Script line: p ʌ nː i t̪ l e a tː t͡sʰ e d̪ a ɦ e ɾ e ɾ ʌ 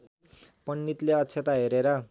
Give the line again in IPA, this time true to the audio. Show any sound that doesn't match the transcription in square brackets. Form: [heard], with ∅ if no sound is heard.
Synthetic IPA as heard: p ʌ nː i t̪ l e [ʌ] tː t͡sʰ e [t̪] a ɦ e ɾ e ɾ ʌ